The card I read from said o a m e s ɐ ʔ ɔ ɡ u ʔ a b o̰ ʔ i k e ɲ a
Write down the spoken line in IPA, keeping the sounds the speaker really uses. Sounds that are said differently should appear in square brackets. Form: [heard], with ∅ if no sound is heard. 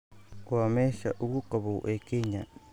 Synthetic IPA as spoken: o a m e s [a] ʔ [u] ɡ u [k] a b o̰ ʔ [e] k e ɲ a